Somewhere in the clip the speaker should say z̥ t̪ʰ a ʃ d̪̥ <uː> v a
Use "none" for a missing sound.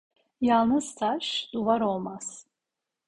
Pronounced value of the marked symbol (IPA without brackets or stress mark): u